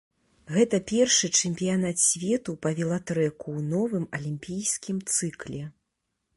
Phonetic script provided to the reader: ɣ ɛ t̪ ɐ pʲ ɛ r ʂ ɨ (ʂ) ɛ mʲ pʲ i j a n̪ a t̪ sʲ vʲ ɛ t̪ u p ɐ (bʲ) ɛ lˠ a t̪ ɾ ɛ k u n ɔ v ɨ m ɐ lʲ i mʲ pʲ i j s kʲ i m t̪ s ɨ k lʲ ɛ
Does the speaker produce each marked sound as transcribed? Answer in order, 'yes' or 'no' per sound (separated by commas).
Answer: no, no